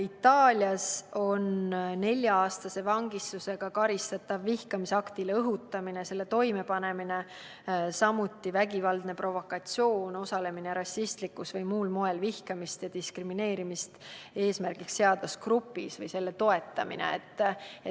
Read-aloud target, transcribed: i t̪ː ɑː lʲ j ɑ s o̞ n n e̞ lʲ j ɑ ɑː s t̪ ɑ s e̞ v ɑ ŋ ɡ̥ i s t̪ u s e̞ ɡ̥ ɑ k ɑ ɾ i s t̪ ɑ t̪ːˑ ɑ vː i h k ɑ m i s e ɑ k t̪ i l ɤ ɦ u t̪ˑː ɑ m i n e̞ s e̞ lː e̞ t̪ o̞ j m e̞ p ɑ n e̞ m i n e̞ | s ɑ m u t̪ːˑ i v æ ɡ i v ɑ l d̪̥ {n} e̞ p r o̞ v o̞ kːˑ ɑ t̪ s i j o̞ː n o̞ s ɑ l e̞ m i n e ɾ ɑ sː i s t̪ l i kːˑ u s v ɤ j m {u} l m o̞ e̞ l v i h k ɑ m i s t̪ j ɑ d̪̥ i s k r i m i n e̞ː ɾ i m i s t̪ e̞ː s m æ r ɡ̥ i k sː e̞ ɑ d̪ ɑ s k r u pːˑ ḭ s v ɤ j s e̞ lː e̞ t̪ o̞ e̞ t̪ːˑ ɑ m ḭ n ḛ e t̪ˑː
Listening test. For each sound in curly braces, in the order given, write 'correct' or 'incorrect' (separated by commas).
correct, incorrect